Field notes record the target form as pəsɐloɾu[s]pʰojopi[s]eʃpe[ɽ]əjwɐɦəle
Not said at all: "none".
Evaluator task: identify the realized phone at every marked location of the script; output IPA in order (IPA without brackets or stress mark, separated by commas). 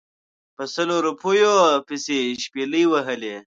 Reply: none, s, l